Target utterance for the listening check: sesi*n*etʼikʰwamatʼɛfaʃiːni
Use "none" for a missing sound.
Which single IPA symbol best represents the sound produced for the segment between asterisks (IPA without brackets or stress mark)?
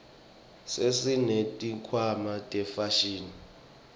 n